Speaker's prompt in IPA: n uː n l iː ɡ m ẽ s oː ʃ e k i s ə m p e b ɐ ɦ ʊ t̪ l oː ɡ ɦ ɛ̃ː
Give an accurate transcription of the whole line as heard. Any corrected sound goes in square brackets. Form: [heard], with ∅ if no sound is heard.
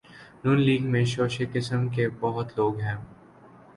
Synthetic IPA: n uː n l iː ɡ m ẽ [ʃ] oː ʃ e k [ɪ] s ə m [k] e b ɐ ɦ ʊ t̪ l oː ɡ ɦ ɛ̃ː